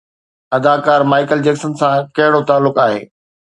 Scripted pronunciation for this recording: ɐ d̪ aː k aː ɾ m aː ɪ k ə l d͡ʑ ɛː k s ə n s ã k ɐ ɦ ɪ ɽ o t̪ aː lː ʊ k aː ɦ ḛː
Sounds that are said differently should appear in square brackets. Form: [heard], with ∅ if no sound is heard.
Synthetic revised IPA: ɐ d̪ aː k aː ɾ m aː ɪ k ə l d͡ʑ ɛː k s ə n s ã k ɐ ɦ ɪ ɽ o t̪ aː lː ʊ k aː ɦ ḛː